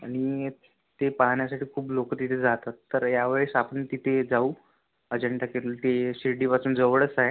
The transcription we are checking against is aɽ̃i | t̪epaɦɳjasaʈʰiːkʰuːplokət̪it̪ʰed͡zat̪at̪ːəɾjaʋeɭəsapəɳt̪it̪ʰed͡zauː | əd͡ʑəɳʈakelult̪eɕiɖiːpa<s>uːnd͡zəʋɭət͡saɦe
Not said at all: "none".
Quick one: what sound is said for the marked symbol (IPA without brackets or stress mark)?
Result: t͡s